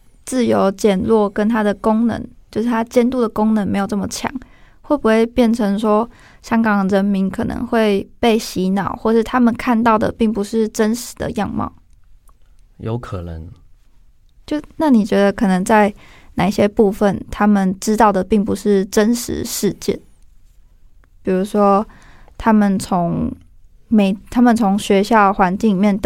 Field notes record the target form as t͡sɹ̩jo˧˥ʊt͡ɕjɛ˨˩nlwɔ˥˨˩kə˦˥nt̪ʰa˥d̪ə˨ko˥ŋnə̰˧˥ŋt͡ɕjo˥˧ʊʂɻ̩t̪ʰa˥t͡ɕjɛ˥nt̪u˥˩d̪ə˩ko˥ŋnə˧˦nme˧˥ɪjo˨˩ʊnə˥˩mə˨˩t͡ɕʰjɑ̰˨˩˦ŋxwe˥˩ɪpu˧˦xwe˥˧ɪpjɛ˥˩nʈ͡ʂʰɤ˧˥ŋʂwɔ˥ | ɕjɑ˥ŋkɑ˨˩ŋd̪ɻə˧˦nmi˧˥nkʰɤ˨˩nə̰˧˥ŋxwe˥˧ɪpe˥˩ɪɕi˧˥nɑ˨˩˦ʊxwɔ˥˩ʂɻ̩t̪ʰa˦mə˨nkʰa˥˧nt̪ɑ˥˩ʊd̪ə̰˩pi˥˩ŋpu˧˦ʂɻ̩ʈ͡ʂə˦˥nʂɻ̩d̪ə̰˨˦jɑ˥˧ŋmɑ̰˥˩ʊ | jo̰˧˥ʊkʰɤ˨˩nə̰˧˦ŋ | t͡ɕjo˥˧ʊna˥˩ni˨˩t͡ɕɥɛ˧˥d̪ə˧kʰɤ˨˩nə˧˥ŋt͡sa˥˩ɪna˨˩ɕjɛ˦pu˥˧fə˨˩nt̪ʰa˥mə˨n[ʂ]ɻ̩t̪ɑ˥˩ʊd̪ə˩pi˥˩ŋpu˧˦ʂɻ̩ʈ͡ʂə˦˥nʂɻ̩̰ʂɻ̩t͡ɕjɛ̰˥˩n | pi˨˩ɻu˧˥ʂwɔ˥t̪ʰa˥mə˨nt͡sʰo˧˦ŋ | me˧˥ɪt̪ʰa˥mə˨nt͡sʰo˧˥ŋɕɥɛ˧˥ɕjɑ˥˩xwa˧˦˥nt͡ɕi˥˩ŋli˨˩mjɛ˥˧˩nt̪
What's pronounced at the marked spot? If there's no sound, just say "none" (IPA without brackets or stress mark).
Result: ʈ͡ʂ